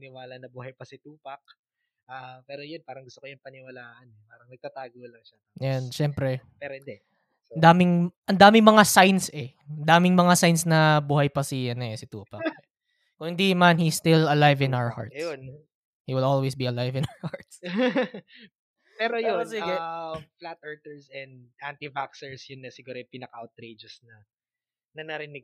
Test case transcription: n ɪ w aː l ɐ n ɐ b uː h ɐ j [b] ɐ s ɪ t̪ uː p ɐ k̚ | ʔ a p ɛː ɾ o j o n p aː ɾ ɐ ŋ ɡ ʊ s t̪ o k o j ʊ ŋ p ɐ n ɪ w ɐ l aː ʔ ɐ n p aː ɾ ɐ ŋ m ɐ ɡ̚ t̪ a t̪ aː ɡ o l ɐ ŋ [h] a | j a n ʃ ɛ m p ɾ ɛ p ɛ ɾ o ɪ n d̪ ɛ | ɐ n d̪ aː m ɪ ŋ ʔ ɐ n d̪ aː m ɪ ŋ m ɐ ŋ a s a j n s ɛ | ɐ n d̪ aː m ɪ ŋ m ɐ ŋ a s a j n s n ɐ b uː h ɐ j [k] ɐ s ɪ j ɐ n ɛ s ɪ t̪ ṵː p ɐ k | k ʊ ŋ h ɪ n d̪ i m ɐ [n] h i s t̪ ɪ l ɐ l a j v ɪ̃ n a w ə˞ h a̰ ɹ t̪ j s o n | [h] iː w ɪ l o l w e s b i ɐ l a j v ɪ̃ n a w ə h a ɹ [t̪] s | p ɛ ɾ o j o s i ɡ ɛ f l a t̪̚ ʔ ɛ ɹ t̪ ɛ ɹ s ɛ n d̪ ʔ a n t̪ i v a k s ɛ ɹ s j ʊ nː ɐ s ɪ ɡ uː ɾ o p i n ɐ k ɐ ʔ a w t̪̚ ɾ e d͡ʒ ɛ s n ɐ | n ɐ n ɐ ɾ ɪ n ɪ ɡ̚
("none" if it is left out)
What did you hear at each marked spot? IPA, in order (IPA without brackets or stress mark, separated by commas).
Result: p, ʃ, p, n, h, t̪